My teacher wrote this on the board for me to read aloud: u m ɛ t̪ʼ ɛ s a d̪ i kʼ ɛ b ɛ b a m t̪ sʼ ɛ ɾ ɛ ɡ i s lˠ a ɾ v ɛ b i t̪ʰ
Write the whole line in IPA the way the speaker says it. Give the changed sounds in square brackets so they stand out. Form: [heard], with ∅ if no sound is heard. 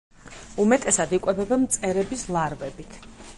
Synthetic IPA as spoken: u m ɛ t̪ʼ ɛ s a d̪ i kʼ ɛ b ɛ b a m t̪ sʼ ɛ ɾ ɛ [b] i s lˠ a ɾ v ɛ b i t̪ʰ